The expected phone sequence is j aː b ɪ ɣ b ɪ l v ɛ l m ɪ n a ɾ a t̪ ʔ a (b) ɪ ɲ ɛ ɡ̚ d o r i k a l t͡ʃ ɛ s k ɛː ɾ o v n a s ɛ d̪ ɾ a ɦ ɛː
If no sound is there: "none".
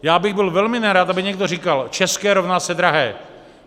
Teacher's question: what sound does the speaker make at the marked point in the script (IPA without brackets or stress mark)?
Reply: b